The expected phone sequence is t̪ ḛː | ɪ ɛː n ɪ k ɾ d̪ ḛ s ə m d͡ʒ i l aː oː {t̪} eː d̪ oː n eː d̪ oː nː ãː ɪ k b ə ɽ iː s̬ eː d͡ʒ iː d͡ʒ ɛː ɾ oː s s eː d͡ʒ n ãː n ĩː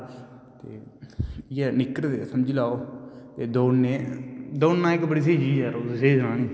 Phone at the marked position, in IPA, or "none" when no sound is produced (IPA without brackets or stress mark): t̪